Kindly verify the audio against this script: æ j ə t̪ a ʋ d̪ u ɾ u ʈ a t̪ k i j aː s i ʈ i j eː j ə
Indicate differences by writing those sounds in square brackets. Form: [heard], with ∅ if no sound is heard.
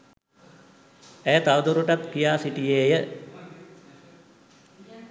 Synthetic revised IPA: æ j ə t̪ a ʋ d̪ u ɾ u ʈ a t̪ k i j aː s i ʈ i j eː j ə